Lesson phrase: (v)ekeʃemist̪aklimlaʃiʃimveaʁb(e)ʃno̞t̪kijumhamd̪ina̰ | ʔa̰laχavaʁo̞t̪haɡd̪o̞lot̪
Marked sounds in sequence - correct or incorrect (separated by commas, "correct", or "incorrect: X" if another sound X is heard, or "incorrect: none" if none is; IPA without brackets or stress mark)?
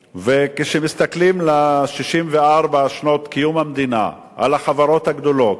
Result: correct, incorrect: a